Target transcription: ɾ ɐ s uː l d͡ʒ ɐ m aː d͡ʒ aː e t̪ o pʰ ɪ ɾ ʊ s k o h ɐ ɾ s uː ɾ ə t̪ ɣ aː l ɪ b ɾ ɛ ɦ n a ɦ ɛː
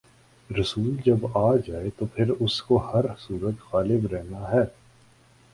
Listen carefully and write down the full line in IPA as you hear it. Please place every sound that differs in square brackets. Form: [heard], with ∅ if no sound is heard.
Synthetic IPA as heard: ɾ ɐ s uː l d͡ʒ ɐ [b] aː d͡ʒ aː e t̪ o pʰ ɪ ɾ ʊ s k o h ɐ ɾ s uː ɾ ə t̪ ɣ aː l ɪ b ɾ ɛ ɦ n a ɦ ɛː